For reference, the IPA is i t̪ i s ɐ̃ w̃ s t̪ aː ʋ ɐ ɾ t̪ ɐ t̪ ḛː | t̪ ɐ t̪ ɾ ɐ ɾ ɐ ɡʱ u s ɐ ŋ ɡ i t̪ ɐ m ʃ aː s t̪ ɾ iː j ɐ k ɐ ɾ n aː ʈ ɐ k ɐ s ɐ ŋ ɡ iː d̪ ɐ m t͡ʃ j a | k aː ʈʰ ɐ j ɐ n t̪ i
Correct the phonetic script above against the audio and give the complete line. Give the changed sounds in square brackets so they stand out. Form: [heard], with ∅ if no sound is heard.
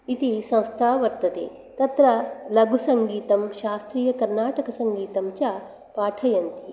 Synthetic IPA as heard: i t̪ i s ɐ̃ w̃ s [t̪ʰ] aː ʋ ɐ ɾ t̪ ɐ t̪ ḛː | t̪ ɐ t̪ ɾ ɐ [l] ɐ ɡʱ u s ɐ ŋ ɡ [iː] t̪ ɐ m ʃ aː s t̪ ɾ iː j ɐ k ɐ ɾ n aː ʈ ɐ k ɐ s ɐ ŋ ɡ iː [t̪] ɐ m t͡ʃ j a | [p] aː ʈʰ ɐ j ɐ n t̪ i